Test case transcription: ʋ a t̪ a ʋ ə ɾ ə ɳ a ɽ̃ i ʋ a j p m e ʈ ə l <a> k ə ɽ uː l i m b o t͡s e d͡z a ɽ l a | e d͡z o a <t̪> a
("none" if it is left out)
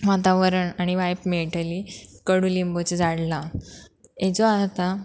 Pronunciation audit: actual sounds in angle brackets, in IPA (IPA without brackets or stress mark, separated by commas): i, t̪